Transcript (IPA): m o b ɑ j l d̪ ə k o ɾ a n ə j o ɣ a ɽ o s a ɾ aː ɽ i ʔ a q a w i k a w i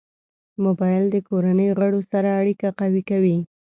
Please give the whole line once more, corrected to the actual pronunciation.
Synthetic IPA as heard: m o b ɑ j l d̪ ə k o ɾ a n ə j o ɣ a ɽ o s a ɾ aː ɽ i k a q a w i k a w i